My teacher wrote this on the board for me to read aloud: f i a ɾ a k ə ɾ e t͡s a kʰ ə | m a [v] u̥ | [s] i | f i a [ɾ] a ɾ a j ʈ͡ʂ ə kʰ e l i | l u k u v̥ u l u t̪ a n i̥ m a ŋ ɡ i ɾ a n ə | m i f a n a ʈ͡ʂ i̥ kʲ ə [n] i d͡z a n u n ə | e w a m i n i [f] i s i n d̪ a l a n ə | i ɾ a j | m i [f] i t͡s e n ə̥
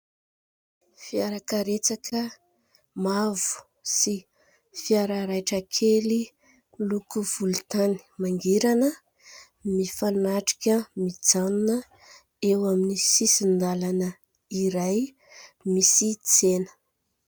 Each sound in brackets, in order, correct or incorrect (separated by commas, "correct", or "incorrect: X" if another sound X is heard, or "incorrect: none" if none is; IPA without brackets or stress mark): correct, correct, correct, incorrect: m, incorrect: s, incorrect: s